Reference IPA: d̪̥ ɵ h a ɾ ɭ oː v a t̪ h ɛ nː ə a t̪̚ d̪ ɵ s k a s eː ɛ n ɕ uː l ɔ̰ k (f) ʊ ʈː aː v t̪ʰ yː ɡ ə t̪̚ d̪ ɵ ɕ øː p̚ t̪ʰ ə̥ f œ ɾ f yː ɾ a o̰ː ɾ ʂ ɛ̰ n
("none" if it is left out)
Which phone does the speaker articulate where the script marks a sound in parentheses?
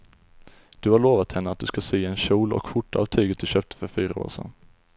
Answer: f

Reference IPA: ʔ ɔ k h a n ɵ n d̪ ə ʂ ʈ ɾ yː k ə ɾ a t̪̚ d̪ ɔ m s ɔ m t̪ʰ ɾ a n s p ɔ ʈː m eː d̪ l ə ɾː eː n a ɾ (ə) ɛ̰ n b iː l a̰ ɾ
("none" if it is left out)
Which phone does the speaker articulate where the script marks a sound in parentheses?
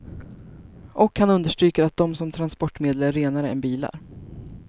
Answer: ə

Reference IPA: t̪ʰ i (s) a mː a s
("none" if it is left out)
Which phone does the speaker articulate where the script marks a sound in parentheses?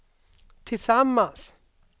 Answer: s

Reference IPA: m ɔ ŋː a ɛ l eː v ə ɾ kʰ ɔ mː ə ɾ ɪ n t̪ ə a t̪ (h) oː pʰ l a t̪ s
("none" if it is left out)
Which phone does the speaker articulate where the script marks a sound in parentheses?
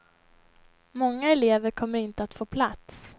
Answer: f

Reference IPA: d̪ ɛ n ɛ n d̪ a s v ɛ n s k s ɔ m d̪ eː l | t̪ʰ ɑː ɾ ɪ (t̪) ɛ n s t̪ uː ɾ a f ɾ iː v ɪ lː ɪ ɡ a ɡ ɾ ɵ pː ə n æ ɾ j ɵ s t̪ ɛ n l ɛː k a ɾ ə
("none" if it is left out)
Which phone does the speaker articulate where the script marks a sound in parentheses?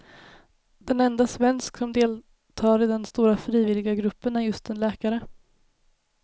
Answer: d̪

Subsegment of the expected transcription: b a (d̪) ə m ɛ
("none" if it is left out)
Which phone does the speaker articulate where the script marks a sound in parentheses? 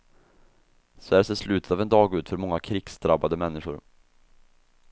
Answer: d̪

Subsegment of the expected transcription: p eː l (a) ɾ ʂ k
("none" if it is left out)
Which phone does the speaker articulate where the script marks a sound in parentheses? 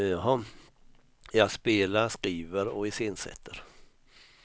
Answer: a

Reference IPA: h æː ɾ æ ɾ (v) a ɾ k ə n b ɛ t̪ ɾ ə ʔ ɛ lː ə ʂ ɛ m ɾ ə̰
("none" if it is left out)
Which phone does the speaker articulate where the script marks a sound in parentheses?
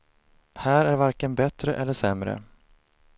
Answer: v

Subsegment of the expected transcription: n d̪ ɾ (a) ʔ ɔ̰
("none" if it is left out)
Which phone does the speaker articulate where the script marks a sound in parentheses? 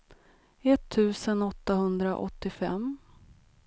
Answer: a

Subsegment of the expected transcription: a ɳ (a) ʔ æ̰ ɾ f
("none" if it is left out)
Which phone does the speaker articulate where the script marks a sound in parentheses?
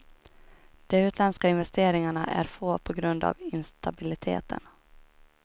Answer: a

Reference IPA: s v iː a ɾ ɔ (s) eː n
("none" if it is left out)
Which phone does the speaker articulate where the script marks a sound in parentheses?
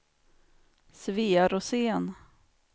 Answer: s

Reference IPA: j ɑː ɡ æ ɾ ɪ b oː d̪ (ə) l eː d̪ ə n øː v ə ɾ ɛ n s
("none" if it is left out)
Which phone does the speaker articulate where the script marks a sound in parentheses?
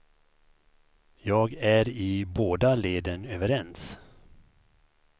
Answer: a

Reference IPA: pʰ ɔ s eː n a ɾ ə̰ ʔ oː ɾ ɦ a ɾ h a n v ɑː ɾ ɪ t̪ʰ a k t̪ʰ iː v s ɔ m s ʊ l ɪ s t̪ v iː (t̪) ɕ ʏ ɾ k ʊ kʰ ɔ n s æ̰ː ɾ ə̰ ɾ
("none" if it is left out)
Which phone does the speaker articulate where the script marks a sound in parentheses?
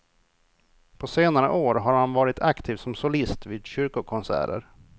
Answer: d̪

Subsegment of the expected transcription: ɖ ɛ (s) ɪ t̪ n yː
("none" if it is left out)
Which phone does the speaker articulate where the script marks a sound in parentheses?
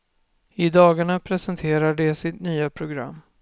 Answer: s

